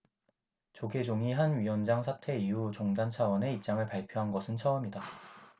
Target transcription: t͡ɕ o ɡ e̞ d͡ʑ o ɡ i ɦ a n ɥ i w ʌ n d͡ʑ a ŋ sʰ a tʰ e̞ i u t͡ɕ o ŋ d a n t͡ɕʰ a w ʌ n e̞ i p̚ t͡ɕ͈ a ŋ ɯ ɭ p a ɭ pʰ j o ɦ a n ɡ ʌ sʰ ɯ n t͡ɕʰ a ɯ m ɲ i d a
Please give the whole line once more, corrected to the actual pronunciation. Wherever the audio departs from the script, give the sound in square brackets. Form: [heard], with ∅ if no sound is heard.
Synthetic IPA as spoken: t͡ɕ o ɡ e̞ d͡ʑ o [ŋ] i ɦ a n ɥ i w ʌ n d͡ʑ a ŋ sʰ a tʰ e̞ i u t͡ɕ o ŋ d a n t͡ɕʰ a w ʌ n e̞ i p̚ t͡ɕ͈ a ŋ ɯ ɭ p a ɭ pʰ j o ɦ a n ɡ ʌ sʰ ɯ n t͡ɕʰ [ʌ] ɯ m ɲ i d a